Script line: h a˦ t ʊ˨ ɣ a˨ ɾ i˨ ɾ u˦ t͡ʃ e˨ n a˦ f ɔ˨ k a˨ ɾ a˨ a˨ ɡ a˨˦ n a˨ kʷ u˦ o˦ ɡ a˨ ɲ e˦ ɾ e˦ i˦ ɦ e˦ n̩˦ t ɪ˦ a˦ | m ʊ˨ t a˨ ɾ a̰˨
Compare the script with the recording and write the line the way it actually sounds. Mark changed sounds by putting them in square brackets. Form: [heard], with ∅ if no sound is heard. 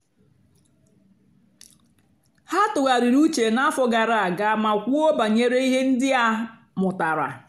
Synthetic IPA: h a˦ t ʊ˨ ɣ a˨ ɾ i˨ ɾ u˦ t͡ʃ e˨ n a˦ f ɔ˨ [ɡ] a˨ ɾ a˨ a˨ ɡ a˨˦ [m] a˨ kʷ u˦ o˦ [b] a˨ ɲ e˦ ɾ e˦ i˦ ɦ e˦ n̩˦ [d] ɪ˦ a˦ | m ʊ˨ t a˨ ɾ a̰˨